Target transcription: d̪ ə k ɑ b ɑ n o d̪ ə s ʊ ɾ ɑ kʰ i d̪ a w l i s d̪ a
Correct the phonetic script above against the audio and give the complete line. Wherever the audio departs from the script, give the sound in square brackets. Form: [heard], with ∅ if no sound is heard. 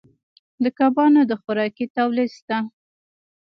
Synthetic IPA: d̪ ə k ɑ b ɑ n o d̪ ə [x] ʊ ɾ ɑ [k] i [t̪] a w l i s [t̪] a

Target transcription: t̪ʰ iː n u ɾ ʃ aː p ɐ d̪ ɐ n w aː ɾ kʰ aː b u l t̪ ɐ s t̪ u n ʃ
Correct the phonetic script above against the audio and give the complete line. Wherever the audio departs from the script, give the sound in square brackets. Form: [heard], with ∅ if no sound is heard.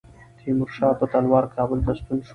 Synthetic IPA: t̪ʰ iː [m] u ɾ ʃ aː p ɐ [t̪] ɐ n w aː ɾ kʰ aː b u l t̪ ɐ s t̪ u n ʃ

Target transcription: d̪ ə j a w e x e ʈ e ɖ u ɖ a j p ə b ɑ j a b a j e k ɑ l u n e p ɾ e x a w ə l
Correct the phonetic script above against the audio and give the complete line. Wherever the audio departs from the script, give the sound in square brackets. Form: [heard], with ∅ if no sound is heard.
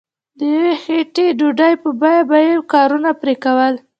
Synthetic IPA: d̪ ə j a w e x e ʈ e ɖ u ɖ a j p ə b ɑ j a b a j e k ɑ [ɾ] u n [a] p ɾ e [k] a w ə l

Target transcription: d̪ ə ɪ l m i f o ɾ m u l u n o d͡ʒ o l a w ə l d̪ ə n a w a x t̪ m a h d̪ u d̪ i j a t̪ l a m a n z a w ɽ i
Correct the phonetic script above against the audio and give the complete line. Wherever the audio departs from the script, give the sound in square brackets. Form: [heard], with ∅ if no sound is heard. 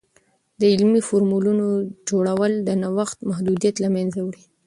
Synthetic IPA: d̪ ə ɪ l m i f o ɾ m u l u n o d͡ʒ o [ɽ] a w ə l d̪ ə n a w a x t̪ m a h d̪ u d̪ i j a t̪ l a m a n z a w ɽ i

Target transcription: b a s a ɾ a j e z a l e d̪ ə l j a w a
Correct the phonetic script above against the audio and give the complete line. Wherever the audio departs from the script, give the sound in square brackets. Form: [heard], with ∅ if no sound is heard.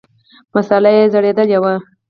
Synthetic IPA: [m] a s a [l] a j e z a [ɽ] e d̪ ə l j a w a

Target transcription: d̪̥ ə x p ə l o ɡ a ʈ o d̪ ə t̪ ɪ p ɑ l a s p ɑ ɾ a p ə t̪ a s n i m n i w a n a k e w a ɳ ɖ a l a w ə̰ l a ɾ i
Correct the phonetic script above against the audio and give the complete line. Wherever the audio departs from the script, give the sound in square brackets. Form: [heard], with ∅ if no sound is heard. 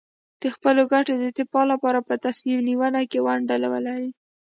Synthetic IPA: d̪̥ ə x p ə l o ɡ a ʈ o d̪ ə t̪ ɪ p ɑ l a [∅] p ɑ ɾ a p ə t̪ a s [m] i m n i w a n a k e w a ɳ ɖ a l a w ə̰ l a ɾ i

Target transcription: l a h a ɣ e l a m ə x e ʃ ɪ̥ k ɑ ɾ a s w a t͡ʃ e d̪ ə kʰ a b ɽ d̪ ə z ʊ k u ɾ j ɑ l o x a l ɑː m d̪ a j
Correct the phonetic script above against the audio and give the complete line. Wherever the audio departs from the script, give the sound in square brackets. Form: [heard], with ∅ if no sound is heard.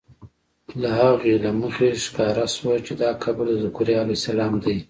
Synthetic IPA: l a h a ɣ e l a m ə x e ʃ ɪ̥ k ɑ ɾ a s w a t͡ʃ e d̪ [ɑ] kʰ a b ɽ d̪ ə z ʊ k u ɾ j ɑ l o [s] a l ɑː m d̪ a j

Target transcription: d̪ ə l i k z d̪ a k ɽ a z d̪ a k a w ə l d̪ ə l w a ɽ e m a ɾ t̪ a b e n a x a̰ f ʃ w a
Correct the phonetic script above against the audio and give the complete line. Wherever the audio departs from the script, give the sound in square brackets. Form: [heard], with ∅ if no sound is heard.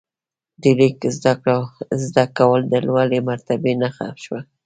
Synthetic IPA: d̪ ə l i k z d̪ a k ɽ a z d̪ a k a w ə l d̪ ə l w a [l] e m a ɾ t̪ a b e n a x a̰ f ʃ w a

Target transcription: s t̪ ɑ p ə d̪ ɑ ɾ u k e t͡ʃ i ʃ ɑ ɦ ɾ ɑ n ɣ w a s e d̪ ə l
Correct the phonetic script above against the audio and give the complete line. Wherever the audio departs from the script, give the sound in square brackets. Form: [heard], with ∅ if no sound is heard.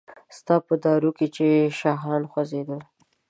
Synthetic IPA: s t̪ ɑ p ə d̪ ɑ ɾ u k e t͡ʃ [e] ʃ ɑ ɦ ɾ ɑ n [x] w a [z] e d̪ ə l

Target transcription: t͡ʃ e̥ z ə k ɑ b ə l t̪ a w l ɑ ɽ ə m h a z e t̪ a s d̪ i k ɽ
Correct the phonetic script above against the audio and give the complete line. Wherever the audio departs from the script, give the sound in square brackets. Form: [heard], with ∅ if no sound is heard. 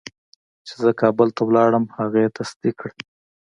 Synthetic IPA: t͡ʃ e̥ z ə k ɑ b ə l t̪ a w l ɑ ɽ ə m h a [ɣ] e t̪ a s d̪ i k ɽ

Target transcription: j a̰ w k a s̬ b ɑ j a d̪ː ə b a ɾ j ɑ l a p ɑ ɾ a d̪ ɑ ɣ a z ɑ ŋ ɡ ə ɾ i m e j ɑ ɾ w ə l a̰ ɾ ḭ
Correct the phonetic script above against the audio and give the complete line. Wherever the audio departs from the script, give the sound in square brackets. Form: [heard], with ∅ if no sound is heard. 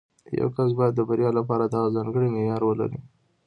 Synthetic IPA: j a̰ w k a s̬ b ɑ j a d̪ː ə b a ɾ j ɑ l a p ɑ ɾ a d̪ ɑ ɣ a z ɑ ŋ ɡ ə [ɽ] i m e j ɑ ɾ w ə l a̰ ɾ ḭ

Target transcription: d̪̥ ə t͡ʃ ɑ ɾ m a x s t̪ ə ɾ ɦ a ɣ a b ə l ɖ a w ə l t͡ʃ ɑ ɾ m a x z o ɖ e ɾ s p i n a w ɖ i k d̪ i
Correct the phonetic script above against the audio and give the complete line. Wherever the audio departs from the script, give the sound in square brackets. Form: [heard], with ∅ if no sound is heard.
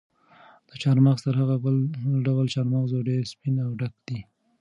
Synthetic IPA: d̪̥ ə t͡ʃ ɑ ɾ m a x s t̪ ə ɾ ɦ a ɣ a b ə l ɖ a w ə l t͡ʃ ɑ ɾ m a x z o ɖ e ɾ s p i n a w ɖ [a] k d̪ i

